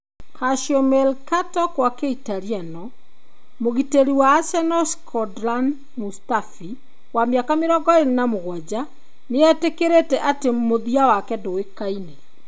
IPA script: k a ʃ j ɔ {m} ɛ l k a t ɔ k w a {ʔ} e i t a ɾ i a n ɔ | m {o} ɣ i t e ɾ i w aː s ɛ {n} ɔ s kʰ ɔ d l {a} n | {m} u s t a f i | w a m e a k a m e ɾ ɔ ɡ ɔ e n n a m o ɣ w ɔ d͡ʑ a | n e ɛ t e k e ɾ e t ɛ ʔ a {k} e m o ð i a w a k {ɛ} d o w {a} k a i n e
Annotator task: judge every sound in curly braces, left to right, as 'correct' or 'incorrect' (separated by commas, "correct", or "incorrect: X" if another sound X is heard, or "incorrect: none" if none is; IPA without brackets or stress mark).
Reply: correct, incorrect: k, correct, correct, correct, correct, incorrect: t, correct, incorrect: e